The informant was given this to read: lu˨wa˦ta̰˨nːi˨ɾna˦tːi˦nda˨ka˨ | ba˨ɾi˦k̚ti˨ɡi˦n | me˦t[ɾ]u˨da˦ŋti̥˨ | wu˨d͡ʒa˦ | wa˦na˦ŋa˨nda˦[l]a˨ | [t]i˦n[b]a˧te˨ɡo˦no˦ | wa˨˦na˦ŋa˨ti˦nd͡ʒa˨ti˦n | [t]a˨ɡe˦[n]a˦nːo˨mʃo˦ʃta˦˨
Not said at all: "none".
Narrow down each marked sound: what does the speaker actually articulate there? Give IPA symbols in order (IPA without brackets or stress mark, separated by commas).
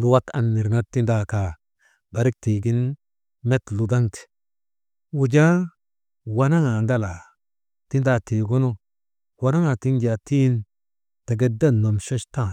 l, l, t, d, t, d